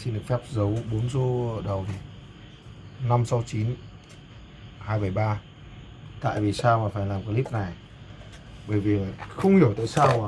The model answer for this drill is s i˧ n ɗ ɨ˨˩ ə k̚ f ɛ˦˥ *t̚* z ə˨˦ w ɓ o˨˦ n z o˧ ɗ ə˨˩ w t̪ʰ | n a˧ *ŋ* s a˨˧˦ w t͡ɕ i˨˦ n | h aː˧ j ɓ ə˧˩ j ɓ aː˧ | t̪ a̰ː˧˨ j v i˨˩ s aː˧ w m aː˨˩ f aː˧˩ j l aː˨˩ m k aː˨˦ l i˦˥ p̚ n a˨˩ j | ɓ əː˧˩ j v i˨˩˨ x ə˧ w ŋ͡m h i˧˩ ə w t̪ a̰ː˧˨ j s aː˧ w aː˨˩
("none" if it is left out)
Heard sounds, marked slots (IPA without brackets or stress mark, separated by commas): p̚, m